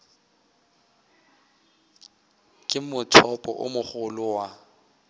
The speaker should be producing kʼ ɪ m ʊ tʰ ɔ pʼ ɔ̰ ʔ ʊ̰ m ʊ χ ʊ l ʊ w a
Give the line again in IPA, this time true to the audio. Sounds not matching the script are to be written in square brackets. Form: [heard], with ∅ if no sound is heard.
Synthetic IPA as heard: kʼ ɪ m ʊ tʰ ɔ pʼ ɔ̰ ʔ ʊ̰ m ʊ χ ʊ l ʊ w a